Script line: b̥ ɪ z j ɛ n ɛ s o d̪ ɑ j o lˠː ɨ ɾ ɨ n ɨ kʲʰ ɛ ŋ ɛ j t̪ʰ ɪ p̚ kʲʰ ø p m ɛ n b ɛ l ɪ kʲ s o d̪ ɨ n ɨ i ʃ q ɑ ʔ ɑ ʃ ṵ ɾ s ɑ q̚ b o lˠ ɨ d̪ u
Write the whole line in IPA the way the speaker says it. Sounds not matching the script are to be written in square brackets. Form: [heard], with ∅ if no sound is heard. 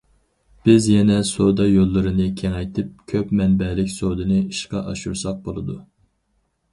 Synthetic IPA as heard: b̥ ɪ z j ɛ n ɛ s o d̪ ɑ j o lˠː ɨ ɾ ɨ n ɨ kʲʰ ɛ ŋ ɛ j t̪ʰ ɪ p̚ kʲʰ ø p m ɛ n b ɛ l ɪ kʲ s o d̪ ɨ n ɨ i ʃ q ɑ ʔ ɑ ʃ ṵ ɾ s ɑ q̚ b o lˠ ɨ d̪ u